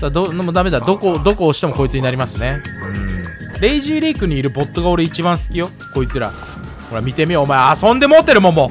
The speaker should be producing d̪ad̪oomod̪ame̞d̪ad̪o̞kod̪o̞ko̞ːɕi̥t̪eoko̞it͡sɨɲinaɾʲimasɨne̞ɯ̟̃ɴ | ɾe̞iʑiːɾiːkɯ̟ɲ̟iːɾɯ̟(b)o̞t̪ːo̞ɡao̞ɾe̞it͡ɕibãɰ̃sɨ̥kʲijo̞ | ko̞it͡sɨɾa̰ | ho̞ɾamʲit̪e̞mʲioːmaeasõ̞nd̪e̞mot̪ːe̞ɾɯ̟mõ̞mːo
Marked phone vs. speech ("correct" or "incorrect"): correct